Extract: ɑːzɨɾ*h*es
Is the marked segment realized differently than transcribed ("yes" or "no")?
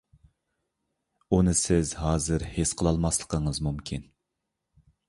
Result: no